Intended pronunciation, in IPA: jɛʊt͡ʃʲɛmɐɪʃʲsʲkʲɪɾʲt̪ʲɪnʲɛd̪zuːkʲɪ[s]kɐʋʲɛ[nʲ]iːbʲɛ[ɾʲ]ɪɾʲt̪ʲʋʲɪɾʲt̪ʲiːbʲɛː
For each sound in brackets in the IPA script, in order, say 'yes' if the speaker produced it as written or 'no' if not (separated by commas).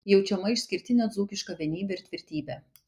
no, yes, no